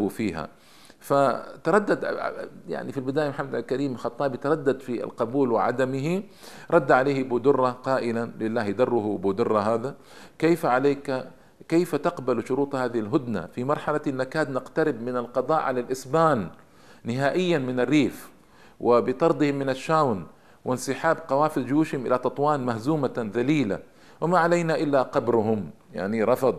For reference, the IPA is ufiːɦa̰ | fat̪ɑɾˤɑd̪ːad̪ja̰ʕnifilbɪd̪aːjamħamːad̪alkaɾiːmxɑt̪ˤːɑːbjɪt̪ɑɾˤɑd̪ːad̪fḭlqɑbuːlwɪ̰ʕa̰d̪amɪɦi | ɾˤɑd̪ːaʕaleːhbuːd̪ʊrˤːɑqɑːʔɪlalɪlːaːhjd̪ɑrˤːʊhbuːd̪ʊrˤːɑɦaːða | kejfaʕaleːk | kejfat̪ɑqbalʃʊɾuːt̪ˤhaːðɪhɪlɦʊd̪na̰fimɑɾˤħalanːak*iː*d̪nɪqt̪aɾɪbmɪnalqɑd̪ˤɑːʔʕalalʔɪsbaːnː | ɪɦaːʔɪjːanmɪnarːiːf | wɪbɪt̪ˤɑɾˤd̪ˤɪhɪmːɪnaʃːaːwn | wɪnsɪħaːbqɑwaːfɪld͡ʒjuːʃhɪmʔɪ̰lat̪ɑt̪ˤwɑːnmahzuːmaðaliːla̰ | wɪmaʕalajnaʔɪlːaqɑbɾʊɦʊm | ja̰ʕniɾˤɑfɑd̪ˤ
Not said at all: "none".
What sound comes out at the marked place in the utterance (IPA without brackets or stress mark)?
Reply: aː